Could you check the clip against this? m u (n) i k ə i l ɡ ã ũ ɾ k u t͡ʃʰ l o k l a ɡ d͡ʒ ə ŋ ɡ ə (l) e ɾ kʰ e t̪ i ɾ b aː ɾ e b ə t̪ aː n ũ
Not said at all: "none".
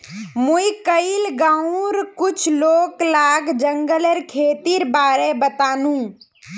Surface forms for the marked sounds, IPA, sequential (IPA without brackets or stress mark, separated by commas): none, l